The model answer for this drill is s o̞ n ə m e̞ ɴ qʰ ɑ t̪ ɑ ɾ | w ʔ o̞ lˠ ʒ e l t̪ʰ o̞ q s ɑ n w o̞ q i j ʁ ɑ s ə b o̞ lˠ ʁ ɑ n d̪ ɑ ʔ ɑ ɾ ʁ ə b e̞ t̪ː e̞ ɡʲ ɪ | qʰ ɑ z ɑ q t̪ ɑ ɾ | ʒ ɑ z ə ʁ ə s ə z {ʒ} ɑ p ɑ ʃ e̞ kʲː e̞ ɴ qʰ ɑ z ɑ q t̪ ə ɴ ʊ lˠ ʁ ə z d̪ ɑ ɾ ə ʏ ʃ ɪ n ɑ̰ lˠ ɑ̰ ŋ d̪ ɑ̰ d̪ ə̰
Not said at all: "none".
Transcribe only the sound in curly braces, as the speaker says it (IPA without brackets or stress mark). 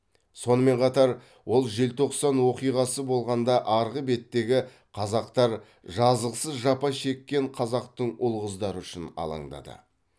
ʒ